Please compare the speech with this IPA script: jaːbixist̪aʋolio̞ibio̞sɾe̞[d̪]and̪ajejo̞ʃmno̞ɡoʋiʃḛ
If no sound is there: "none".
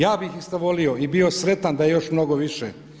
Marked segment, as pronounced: t̪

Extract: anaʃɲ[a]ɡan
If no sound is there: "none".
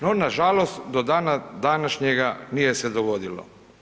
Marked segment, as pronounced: e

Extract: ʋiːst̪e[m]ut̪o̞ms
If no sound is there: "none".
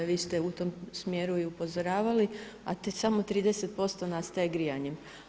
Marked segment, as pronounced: none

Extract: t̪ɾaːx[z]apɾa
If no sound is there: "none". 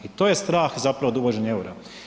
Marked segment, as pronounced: z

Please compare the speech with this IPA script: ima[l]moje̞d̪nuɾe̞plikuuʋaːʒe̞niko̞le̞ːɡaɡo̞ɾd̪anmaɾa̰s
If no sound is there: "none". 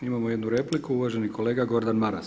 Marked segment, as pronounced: none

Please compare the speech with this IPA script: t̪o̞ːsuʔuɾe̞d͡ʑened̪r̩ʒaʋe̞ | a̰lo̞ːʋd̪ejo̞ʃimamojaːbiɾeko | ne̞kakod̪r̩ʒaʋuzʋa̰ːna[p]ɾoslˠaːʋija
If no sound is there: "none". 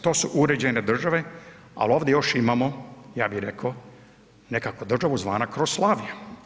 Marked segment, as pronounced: k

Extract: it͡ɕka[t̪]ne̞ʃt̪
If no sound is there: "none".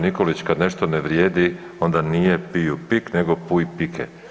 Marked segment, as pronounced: d̪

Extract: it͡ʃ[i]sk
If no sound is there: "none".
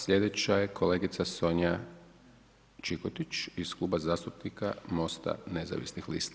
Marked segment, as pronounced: i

